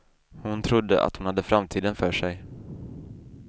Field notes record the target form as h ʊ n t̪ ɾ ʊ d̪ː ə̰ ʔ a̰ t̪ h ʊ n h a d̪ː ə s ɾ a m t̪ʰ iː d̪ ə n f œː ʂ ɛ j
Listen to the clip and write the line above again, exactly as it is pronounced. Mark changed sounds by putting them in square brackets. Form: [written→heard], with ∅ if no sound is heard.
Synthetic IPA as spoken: h ʊ n [t̪→t̪ʰ] ɾ ʊ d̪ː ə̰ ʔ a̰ t̪ h ʊ n h a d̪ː ə [s→f] ɾ a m t̪ʰ iː d̪ ə n f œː ʂ ɛ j